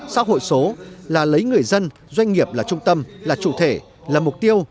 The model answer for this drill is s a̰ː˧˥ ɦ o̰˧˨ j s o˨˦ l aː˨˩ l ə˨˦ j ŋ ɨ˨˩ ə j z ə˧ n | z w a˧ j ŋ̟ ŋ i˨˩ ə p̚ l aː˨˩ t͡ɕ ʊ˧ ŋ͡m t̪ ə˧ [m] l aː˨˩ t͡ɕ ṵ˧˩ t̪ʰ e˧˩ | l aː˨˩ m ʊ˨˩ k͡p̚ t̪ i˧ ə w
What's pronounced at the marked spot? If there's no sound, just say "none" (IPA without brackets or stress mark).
m